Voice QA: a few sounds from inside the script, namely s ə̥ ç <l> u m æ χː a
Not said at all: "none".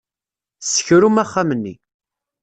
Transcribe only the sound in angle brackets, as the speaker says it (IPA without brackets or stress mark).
ɾ